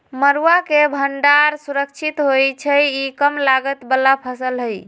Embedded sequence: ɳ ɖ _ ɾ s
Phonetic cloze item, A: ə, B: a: B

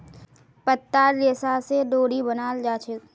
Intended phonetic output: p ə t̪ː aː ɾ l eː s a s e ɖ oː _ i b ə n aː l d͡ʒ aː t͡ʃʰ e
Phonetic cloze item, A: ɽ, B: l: A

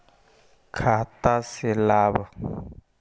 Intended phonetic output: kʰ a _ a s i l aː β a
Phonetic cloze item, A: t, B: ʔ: A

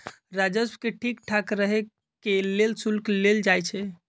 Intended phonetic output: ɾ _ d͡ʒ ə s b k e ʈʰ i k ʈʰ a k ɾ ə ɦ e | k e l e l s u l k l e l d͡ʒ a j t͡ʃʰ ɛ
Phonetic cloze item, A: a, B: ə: A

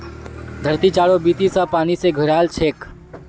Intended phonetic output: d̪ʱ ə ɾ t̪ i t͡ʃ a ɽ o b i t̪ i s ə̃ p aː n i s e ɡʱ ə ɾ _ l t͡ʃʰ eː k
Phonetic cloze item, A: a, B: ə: A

